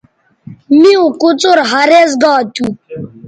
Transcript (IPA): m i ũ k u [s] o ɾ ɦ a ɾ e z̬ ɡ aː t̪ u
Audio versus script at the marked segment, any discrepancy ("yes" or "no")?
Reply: yes